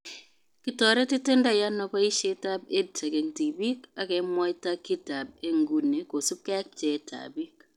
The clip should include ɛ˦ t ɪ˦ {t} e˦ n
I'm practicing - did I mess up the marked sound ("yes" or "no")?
no